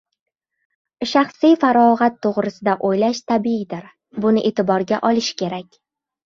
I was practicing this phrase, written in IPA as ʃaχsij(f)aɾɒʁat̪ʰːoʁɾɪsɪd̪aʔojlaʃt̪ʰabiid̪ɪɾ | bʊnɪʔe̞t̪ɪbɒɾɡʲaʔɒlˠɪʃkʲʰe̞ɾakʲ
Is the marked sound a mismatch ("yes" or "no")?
no